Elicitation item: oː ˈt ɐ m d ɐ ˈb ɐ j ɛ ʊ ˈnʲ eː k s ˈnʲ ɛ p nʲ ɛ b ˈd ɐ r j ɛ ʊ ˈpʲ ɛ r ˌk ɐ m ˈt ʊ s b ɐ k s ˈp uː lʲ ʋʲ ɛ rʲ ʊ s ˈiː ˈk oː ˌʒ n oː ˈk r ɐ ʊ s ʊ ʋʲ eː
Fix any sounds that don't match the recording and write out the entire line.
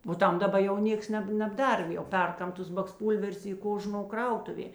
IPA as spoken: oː ˈt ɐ m d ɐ ˈb ɐ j ɛ ʊ ˈnʲ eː k s ˈnʲ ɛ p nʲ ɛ b ˈd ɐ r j ɛ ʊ ˈpʲ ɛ r ˌk ɐ m ˈt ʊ s b ɐ k s ˈp uː lʲ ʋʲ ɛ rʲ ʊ s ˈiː ˈk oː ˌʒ n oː ˈk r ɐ ʊ t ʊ ʋʲ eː